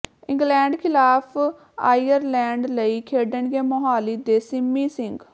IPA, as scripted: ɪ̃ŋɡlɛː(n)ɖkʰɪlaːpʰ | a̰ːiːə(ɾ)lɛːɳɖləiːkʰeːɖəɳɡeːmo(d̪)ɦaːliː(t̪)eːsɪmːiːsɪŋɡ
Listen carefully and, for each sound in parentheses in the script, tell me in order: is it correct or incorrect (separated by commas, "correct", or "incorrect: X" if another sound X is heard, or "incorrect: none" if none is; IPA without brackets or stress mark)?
incorrect: ɳ, correct, incorrect: none, incorrect: d̪